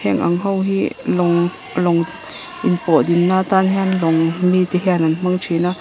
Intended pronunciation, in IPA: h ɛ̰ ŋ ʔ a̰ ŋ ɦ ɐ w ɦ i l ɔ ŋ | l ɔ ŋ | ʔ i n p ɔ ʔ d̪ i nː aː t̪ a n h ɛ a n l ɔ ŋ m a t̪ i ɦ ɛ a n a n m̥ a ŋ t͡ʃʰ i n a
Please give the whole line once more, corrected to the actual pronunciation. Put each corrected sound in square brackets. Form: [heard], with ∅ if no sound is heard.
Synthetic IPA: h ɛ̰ ŋ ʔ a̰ ŋ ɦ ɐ w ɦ i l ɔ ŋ | l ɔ ŋ | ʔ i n p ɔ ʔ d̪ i nː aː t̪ a n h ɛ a n l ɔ ŋ m [i] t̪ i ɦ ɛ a n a n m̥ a ŋ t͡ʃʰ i n a